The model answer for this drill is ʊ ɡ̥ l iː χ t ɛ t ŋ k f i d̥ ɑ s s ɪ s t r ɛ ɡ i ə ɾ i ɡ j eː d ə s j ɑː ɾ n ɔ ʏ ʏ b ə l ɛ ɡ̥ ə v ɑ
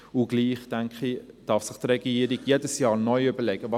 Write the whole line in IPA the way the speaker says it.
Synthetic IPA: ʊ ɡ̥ l iː χ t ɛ ŋ k χ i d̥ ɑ f s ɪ χ t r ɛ ɡ i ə ɾ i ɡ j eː d ə s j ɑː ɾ n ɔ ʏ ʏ b ə l ɛ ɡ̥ ə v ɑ